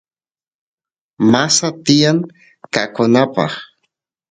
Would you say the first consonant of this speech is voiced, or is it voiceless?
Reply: voiced